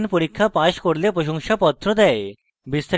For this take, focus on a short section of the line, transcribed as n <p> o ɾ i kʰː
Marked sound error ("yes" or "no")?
no